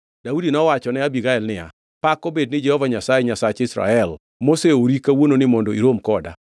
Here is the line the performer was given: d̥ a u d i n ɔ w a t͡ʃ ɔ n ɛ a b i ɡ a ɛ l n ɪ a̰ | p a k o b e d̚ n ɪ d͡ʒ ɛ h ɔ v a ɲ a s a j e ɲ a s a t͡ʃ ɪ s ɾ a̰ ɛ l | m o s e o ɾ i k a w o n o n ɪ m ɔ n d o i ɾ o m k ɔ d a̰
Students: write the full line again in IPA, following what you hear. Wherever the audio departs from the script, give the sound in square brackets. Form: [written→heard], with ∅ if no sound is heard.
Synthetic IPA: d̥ a u d i n ɔ w a t͡ʃ ɔ n ɛ a b i ɡ a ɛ l n ɪ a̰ | p a k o b e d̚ n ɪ d͡ʒ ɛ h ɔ v a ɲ a s a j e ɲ a s a t͡ʃ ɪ s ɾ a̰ ɛ l | m o s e o ɾ i k a w o n o n ɪ m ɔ n d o i ɾ o m k ɔ d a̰